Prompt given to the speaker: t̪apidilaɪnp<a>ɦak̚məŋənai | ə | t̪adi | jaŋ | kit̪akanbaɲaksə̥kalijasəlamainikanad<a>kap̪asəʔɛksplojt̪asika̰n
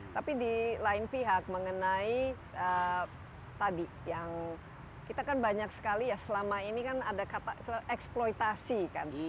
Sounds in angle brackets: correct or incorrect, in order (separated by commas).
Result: incorrect, correct